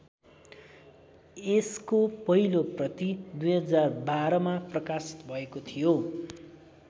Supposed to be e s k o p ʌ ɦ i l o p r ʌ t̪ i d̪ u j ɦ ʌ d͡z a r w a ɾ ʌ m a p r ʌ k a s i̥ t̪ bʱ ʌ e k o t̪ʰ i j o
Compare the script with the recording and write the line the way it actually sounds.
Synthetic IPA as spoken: e s k o p ʌ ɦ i l o p r ʌ t̪ i d̪ u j ɦ ʌ d͡z a r b a ɾ ʌ m a p r ʌ k a s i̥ t̪ bʱ ʌ e k o t̪ʰ i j o